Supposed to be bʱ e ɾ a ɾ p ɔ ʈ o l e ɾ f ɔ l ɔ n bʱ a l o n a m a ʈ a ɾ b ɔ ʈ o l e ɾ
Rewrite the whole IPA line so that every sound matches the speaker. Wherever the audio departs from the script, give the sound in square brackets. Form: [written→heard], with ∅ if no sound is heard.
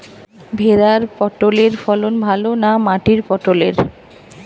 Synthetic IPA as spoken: bʱ e ɾ a ɾ p ɔ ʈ o l e ɾ f ɔ l [ɔ→o] n bʱ a l o n a m a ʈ [a→i] ɾ [b→p] ɔ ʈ o l e ɾ